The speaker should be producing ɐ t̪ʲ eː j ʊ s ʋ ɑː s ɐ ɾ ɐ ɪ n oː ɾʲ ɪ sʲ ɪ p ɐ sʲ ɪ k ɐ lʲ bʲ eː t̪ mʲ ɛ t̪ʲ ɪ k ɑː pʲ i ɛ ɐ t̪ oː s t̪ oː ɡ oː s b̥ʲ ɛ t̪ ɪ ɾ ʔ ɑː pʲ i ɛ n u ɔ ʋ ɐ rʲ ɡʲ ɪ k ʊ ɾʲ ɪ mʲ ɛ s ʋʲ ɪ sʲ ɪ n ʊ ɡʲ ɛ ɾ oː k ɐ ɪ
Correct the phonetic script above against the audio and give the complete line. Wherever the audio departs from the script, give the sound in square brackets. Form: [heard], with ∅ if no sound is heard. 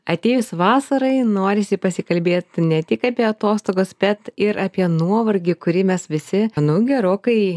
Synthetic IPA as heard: ɐ t̪ʲ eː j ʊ s ʋ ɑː s ɐ ɾ ɐ ɪ n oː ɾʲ ɪ sʲ ɪ p ɐ sʲ ɪ k ɐ lʲ bʲ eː t̪ [nʲ] ɛ t̪ʲ ɪ k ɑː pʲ i ɛ ɐ t̪ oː s t̪ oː ɡ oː s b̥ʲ ɛ t̪ ɪ ɾ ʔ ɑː pʲ i ɛ n u ɔ ʋ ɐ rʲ ɡʲ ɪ k ʊ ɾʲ ɪ mʲ ɛ s ʋʲ ɪ sʲ ɪ n ʊ ɡʲ ɛ ɾ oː k ɐ ɪ